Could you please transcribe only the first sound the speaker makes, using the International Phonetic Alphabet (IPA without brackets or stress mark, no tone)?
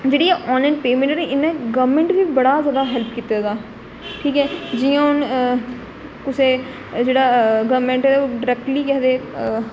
d͡ʒ